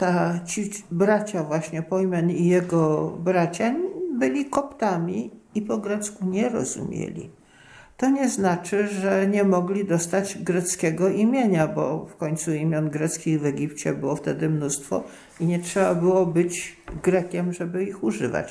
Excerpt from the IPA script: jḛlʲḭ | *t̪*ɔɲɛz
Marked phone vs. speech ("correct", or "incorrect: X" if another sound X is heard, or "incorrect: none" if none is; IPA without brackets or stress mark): correct